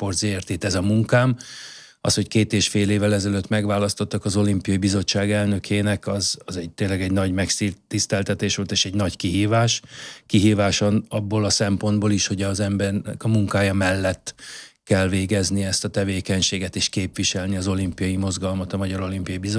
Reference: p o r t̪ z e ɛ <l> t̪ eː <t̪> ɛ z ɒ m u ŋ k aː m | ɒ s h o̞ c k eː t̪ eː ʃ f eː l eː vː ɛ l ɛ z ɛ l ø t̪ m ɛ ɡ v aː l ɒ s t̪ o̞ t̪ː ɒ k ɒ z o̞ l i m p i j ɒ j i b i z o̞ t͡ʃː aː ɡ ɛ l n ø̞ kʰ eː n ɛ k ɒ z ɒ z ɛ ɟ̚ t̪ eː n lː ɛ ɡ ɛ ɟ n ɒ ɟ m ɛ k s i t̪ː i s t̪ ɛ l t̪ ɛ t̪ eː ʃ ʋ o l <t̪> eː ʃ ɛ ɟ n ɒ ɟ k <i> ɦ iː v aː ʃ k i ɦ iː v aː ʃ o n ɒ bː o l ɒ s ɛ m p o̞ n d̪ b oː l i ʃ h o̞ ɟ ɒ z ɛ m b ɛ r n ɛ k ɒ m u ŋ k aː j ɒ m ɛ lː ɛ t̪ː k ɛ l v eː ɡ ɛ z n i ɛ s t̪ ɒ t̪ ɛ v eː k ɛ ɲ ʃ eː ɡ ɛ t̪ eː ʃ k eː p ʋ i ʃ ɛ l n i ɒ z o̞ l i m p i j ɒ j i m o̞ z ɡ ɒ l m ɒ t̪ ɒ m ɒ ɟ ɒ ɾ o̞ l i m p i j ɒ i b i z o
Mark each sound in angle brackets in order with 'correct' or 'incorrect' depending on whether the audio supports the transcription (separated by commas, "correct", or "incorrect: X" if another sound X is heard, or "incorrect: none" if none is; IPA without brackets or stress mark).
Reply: incorrect: r, correct, correct, correct